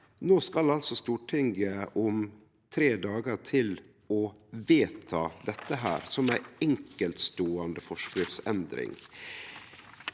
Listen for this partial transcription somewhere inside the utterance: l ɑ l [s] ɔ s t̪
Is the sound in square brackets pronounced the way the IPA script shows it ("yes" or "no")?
yes